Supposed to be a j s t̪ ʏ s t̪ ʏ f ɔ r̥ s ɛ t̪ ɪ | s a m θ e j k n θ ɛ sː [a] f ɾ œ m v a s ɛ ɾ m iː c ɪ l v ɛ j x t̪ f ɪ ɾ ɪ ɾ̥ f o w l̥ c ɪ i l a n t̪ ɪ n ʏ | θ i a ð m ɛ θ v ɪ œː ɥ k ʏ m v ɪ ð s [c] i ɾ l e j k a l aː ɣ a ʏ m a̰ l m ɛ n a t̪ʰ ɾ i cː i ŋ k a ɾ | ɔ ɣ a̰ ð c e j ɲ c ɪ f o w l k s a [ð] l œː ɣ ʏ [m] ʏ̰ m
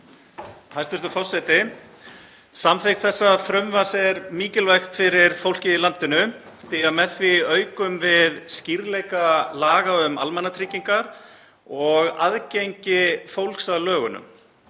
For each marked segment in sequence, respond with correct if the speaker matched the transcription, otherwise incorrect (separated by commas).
correct, correct, correct, incorrect